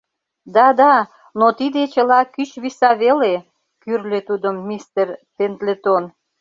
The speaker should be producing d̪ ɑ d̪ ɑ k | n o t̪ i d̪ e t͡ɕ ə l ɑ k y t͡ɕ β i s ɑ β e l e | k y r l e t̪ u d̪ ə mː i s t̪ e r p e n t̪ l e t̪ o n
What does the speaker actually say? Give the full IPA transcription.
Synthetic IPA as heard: d̪ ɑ d̪ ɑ | n o t̪ i d̪ e t͡ɕ ə l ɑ k y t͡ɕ β i s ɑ β e l e | k y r l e t̪ u d̪ ə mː i s t̪ e r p e n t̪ l e t̪ o n